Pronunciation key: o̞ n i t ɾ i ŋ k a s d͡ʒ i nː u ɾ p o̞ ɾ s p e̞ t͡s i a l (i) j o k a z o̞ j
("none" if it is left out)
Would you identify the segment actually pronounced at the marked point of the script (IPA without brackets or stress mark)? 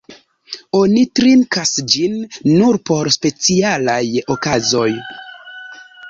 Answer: a